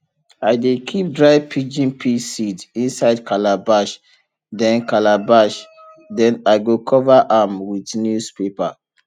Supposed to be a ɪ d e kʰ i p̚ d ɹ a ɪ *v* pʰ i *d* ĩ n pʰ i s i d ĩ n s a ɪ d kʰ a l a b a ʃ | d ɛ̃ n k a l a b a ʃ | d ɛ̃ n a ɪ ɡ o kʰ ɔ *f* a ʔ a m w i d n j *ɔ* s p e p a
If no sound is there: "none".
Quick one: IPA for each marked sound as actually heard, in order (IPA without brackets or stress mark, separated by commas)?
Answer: v, d͡ʒ, v, u